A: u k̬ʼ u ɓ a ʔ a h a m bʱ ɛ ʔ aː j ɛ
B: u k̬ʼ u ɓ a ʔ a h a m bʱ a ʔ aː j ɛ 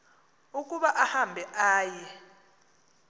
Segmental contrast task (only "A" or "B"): A